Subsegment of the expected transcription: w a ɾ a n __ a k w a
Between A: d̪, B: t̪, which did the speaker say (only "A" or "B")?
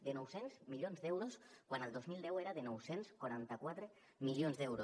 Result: B